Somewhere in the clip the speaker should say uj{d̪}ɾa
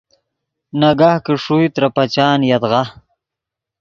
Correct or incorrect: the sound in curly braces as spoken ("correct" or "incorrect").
incorrect